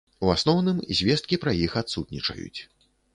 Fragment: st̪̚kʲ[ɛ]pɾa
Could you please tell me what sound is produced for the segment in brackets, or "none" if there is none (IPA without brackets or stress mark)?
i